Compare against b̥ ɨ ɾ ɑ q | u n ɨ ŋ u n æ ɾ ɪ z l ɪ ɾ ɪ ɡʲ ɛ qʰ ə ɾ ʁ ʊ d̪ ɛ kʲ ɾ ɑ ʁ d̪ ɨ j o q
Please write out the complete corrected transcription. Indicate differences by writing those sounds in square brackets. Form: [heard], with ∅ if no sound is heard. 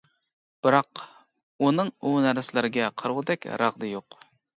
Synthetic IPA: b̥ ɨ ɾ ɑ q | u n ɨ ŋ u n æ ɾ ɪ [s] l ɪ ɾ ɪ ɡʲ ɛ qʰ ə ɾ ʁ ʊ d̪ ɛ kʲ ɾ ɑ ʁ d̪ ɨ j o q